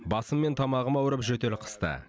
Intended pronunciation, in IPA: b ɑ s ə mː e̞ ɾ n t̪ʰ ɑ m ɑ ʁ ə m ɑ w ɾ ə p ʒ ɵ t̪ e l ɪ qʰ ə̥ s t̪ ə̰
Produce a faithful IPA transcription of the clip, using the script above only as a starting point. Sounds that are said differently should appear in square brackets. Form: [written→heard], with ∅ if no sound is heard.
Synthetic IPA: b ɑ s ə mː e̞ [ɾ→∅] n t̪ʰ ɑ m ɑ ʁ ə m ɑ w ɾ ə p ʒ ɵ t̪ e l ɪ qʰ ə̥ s t̪ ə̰